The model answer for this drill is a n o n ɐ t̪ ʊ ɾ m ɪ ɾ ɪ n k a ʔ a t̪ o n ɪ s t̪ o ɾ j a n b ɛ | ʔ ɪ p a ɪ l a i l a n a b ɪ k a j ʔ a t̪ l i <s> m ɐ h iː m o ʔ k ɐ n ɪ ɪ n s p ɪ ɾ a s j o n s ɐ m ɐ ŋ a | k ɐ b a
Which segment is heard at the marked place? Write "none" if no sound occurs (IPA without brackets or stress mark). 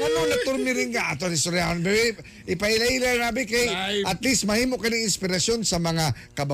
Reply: s